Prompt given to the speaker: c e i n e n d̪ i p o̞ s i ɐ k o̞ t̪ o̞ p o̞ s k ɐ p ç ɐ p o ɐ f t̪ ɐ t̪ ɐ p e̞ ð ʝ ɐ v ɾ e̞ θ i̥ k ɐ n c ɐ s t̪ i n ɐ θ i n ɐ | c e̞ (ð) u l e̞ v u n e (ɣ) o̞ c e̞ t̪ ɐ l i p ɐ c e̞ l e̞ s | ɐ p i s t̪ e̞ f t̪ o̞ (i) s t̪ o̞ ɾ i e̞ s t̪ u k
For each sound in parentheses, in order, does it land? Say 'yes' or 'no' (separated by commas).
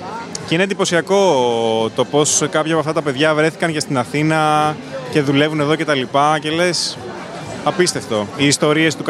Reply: yes, no, no